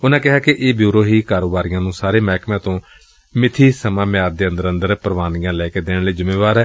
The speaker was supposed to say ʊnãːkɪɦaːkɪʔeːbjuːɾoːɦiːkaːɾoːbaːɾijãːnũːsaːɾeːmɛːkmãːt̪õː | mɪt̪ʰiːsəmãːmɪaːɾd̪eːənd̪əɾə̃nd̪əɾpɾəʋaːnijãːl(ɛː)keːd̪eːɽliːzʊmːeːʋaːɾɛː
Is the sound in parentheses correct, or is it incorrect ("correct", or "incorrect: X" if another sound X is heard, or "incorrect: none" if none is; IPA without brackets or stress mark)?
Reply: correct